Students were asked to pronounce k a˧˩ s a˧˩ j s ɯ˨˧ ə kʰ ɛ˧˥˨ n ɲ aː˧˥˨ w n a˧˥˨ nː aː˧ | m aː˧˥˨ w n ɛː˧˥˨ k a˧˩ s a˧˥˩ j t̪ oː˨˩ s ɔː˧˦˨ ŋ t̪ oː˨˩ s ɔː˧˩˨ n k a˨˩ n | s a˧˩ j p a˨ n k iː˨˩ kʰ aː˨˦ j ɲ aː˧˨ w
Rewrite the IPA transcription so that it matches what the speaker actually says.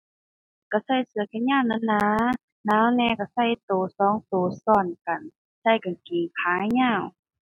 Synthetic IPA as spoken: k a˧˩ s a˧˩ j s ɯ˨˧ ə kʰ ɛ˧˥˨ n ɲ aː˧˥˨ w n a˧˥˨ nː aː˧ | n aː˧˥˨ w n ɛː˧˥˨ k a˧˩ s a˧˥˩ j t̪ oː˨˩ s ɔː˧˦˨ ŋ t̪ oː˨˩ s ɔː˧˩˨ n k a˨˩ n | s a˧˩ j k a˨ n k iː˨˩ kʰ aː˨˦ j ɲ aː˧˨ w

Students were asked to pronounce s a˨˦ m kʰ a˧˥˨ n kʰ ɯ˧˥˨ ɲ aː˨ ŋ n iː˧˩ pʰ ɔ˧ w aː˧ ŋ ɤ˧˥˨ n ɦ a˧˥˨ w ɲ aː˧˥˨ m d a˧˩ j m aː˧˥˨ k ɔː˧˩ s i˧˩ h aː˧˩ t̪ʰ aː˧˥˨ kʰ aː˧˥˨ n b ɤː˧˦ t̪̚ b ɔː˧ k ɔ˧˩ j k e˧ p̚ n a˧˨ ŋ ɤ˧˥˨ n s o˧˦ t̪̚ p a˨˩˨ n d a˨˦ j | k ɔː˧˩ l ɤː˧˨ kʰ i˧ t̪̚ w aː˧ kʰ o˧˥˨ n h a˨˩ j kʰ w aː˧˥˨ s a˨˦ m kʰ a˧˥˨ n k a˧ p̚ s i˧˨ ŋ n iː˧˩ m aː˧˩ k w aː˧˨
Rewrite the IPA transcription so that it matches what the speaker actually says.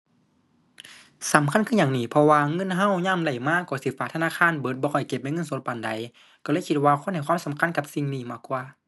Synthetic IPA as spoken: s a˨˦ m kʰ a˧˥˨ n kʰ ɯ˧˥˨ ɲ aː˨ ŋ n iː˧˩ pʰ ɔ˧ w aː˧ ŋ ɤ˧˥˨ n ɦ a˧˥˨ w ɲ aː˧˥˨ m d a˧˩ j m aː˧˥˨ k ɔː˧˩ s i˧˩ f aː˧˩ t̪ʰ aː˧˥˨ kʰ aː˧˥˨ n b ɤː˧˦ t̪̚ b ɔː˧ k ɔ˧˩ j k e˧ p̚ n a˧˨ ŋ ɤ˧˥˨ n s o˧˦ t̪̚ p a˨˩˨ n d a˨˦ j | k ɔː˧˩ l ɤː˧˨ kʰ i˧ t̪̚ w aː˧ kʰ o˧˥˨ n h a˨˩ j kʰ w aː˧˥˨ s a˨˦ m kʰ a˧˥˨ n k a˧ p̚ s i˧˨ ŋ n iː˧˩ m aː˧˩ k w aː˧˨

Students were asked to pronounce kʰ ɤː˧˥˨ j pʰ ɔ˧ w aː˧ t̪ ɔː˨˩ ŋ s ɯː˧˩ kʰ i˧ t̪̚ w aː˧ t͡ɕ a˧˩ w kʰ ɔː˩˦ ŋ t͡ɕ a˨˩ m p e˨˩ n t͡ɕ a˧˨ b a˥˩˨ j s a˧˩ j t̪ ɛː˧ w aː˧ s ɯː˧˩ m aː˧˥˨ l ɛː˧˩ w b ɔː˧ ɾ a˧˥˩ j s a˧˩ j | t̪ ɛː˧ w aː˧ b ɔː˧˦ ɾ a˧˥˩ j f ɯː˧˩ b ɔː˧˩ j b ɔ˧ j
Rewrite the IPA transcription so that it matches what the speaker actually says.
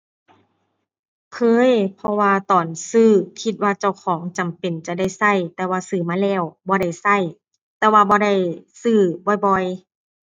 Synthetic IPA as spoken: kʰ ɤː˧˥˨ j pʰ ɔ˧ w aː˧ t̪ ɔː˨˩ n s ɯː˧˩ kʰ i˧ t̪̚ w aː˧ t͡ɕ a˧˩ w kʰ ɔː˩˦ ŋ t͡ɕ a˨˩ m p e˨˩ n t͡ɕ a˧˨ d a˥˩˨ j s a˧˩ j t̪ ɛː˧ w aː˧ s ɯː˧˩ m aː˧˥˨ l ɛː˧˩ w b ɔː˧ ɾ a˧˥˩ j s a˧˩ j | t̪ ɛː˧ w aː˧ b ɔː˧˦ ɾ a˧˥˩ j s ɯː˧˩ b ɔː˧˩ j b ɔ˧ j

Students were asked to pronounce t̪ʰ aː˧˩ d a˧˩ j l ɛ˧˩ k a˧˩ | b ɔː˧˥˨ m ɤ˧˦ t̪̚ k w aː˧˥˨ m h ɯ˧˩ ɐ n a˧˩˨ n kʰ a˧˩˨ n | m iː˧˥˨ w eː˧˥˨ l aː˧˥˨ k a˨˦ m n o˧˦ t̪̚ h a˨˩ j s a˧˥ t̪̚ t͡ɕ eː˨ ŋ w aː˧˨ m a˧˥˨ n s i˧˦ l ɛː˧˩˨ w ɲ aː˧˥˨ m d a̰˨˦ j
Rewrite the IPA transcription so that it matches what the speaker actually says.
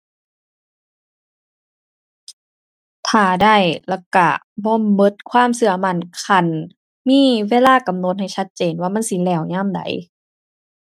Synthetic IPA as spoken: t̪ʰ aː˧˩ d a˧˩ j l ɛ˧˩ k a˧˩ | b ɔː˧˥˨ m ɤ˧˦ t̪̚ kʰ w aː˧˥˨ m s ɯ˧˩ ɐ m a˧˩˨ n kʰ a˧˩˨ n | m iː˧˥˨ w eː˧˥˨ l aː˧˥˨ k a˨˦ m n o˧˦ t̪̚ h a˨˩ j s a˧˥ t̪̚ t͡ɕ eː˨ n w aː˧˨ m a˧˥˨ n s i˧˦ l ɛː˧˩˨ w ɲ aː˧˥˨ m d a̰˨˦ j

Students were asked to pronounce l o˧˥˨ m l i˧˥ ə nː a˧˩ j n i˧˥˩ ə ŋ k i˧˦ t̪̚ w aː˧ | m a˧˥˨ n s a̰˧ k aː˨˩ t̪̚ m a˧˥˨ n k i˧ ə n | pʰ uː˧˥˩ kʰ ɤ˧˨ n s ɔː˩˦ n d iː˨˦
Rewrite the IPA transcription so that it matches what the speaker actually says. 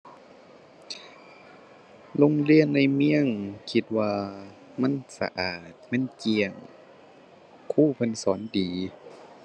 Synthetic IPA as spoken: l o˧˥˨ ŋ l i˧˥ ə nː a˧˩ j m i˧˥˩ ə ŋ kʰ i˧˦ t̪̚ w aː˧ | m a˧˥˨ n s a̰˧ ʔ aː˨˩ t̪̚ m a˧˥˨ n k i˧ ə ŋ | kʰ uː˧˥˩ pʰ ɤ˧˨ n s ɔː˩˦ n d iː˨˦

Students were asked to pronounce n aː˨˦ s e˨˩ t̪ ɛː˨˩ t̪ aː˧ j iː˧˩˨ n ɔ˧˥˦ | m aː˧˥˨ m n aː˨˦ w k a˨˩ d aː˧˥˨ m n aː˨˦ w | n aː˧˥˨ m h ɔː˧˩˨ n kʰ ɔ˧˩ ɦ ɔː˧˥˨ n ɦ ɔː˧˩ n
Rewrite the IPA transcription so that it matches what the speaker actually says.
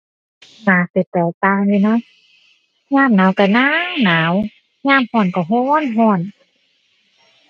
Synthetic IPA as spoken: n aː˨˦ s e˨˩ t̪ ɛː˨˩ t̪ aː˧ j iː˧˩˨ n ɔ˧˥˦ | ɲ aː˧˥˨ m n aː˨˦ w k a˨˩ n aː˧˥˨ ŋ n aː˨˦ w | ɲ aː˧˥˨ m h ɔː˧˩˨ n k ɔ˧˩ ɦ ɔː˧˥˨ n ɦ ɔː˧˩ n

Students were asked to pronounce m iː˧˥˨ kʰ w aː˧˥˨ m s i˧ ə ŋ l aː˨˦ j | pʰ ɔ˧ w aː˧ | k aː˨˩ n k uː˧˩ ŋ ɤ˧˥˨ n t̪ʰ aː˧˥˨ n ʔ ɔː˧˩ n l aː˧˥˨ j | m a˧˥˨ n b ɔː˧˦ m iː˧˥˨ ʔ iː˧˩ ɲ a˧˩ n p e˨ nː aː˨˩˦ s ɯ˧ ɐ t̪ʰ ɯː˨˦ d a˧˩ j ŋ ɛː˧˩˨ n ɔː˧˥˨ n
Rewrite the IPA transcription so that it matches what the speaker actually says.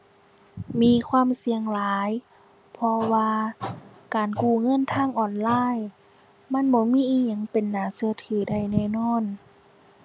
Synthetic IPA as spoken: m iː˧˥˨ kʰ w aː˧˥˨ m s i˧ ə ŋ l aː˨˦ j | pʰ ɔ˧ w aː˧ | k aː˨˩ n k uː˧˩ ŋ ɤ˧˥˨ n t̪ʰ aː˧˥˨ ŋ ʔ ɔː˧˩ n l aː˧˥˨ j | m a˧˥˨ n b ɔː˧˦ m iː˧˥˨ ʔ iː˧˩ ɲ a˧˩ ŋ p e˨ nː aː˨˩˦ s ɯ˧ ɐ t̪ʰ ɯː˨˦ d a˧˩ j n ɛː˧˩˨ n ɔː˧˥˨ n

